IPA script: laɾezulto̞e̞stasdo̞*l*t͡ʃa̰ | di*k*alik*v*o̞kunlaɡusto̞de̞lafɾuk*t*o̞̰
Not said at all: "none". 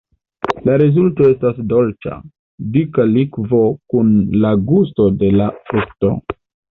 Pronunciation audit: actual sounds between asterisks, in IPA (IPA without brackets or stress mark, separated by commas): l, k, v, t